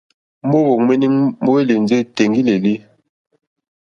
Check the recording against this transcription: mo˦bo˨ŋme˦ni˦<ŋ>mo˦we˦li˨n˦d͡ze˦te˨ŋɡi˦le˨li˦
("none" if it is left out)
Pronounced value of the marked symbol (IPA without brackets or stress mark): ŋ